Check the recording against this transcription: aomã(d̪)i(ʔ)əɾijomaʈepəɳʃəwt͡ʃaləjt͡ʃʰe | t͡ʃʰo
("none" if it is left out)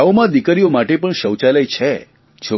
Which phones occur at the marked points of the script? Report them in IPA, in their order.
d̪, k

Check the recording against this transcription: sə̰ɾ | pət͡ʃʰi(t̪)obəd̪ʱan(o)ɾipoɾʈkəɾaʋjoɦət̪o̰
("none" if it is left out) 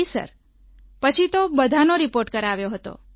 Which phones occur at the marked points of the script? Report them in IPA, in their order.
t̪, o

